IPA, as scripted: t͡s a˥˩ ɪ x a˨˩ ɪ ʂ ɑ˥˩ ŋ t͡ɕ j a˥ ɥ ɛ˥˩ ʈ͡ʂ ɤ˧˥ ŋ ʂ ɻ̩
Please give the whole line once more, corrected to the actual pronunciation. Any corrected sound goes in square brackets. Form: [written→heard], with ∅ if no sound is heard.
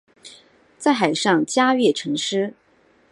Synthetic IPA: t͡s a˥˩ ɪ x a˨˩ ɪ ʂ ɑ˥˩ ŋ t͡ɕ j a˥ ɥ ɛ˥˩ [ʈ͡ʂ→ʈ͡ʂʰ] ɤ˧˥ ŋ ʂ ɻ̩